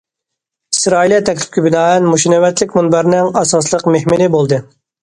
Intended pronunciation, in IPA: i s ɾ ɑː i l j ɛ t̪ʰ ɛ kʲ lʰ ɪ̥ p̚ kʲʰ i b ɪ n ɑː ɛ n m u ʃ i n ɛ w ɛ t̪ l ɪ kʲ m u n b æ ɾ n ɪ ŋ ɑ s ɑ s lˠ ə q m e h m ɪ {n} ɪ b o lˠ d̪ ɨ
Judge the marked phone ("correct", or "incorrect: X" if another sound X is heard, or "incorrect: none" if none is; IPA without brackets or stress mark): correct